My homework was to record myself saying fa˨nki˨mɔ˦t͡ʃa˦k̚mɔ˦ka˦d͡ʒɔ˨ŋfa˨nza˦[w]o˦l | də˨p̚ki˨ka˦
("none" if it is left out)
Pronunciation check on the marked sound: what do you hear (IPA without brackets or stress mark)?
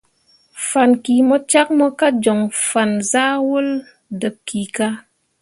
w